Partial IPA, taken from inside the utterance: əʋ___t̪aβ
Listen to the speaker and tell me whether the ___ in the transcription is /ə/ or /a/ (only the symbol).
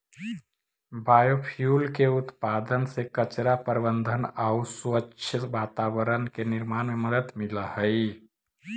a